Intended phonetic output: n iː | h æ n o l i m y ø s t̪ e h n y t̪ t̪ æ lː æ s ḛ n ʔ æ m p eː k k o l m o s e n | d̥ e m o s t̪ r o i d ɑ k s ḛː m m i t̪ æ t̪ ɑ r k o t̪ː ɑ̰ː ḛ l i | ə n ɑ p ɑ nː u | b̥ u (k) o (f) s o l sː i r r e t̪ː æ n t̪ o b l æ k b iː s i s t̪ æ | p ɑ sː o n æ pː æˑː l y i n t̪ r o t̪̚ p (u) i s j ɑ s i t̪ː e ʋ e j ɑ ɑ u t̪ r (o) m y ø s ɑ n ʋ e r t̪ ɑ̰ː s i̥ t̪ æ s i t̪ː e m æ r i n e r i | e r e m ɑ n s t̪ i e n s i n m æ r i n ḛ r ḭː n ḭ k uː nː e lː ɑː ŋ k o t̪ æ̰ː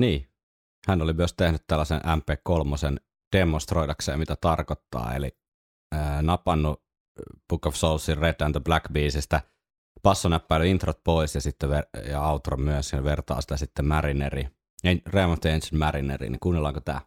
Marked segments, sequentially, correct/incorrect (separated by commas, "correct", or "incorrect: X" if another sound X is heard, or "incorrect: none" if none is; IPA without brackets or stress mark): correct, correct, incorrect: o, correct